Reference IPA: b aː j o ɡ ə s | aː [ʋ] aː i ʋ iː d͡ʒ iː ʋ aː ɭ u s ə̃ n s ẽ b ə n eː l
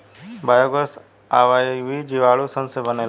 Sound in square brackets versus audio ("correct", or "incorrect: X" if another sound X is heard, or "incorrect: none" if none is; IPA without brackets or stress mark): correct